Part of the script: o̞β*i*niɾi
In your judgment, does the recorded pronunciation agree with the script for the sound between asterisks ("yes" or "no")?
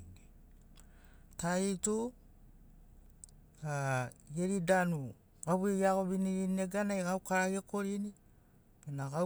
yes